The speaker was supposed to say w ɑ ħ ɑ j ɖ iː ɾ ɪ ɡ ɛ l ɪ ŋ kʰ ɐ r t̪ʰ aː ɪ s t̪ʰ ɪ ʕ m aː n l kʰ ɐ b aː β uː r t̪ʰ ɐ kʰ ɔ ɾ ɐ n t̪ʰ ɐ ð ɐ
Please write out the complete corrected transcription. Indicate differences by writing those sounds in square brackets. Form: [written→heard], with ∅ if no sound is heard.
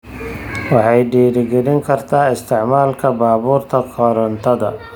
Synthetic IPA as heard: w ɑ ħ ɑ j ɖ iː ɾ ɪ ɡ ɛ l ɪ ŋ kʰ ɐ r t̪ʰ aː ɪ s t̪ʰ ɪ ʕ m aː [n→∅] l kʰ ɐ b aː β uː r t̪ʰ ɐ kʰ ɔ ɾ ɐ n t̪ʰ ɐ ð ɐ